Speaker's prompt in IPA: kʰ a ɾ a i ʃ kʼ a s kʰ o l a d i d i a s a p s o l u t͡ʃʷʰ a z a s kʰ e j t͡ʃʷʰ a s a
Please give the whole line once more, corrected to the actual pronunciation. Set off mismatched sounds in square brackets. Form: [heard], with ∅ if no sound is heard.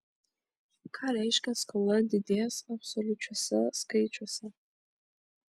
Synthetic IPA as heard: kʰ a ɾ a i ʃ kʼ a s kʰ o l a d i d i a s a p s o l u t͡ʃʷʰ a [s] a s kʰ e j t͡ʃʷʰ a s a